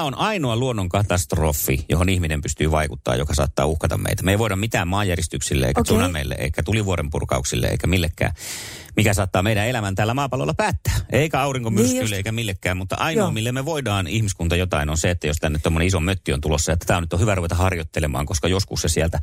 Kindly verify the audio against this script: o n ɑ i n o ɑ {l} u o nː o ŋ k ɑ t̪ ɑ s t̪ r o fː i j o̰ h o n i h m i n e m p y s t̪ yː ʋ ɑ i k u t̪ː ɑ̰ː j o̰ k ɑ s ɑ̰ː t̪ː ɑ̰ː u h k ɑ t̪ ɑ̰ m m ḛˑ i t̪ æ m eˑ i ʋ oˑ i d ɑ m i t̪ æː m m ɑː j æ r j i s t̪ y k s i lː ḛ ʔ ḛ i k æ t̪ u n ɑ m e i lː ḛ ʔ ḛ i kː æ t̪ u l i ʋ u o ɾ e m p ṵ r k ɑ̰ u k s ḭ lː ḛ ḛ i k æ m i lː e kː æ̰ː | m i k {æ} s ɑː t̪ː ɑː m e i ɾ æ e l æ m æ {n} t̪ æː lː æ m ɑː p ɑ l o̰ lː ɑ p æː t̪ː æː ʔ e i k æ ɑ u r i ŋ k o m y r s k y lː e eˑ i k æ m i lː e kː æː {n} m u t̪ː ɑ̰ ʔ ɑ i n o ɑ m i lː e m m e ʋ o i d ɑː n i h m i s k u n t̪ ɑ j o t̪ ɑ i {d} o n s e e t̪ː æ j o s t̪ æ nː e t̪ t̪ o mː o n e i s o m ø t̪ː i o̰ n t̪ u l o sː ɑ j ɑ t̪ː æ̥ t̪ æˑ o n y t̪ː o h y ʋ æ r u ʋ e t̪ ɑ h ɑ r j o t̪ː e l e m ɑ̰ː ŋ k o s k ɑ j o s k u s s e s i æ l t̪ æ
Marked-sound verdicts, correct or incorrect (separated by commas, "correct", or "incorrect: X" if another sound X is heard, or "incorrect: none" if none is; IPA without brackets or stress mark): correct, correct, correct, incorrect: m, incorrect: n